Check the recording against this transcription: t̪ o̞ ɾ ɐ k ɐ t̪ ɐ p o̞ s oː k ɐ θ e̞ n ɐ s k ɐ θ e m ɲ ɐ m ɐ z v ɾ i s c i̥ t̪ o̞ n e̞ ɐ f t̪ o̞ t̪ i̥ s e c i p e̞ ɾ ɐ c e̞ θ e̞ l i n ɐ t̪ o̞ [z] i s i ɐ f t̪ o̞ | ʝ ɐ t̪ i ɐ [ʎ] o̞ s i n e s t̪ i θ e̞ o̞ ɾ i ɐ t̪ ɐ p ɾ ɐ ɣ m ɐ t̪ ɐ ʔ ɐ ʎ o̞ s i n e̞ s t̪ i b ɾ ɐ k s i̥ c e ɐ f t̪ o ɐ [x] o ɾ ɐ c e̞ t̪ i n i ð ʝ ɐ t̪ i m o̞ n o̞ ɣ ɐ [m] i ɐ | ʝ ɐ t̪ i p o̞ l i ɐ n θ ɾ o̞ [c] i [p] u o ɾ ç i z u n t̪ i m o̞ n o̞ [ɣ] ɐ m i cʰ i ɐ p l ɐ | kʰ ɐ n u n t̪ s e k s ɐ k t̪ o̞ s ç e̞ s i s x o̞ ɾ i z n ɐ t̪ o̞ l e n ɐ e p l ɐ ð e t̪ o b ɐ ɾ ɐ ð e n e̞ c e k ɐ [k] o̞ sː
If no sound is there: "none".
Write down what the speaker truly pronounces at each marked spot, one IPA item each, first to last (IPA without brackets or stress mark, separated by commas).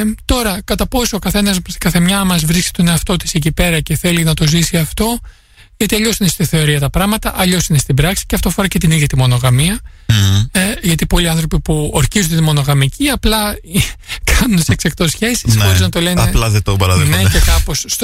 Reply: z, ʎ, f, m, p, p, ɣ, p